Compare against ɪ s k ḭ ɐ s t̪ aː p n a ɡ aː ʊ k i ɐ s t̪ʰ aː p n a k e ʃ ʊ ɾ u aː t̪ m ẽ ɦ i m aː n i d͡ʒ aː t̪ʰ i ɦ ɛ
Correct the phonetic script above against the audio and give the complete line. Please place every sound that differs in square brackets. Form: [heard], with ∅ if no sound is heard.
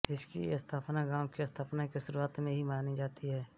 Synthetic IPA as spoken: ɪ s k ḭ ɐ s [t̪ʰ] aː p n a ɡ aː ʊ k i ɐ s t̪ʰ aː p n a k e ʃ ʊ ɾ u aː t̪ m ẽ ɦ i m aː n i d͡ʒ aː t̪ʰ i ɦ [ɛː]